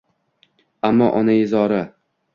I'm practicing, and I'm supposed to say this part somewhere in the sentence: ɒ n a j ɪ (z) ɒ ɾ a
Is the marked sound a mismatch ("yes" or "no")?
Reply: no